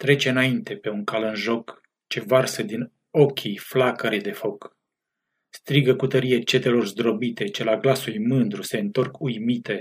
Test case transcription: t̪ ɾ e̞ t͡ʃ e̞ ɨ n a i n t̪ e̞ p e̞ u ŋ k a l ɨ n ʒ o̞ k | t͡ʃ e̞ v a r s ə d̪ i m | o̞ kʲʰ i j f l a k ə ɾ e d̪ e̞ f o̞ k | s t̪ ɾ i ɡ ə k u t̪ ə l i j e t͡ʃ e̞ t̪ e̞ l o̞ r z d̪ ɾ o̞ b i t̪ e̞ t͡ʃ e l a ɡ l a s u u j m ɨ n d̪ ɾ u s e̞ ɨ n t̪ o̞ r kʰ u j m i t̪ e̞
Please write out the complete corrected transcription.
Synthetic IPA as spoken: t̪ ɾ e̞ t͡ʃ e̞ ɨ n a i n t̪ e̞ p e̞ u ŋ k a l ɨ n ʒ o̞ k | t͡ʃ e̞ v a r s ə d̪ i n | o̞ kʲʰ i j f l a k ə ɾ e d̪ e̞ f o̞ k | s t̪ ɾ i ɡ ə k u t̪ ə ɾ i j e t͡ʃ e̞ t̪ e̞ l o̞ r z d̪ ɾ o̞ b i t̪ e̞ t͡ʃ e l a ɡ l a s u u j m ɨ n d̪ ɾ u s e̞ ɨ n t̪ o̞ r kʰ u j m i t̪ e̞